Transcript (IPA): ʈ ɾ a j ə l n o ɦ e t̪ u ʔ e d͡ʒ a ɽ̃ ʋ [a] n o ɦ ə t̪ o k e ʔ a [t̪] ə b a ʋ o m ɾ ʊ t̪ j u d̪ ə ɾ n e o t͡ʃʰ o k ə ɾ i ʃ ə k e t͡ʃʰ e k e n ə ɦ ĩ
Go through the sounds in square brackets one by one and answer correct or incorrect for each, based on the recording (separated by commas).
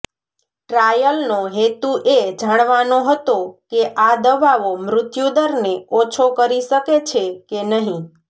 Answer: correct, incorrect